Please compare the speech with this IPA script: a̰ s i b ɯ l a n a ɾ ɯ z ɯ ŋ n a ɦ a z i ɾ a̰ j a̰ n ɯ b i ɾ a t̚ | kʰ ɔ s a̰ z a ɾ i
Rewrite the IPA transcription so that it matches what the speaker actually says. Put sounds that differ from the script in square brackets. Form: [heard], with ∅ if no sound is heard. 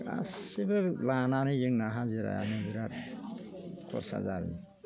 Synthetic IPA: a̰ s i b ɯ l a n a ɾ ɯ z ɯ ŋ n a ɦ a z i ɾ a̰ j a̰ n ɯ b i ɾ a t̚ | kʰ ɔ s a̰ z a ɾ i